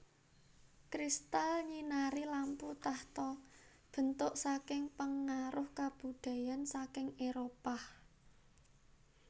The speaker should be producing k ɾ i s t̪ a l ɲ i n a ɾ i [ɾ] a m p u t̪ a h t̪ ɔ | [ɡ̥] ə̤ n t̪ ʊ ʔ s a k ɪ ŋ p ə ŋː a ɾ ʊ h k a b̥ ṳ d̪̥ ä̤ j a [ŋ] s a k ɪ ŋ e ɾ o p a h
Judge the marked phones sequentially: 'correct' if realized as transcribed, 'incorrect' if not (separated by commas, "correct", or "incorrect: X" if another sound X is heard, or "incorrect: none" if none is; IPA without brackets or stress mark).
incorrect: l, incorrect: b̥, incorrect: n